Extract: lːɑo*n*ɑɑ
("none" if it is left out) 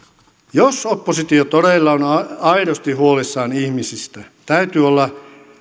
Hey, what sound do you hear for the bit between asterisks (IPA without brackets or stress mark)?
n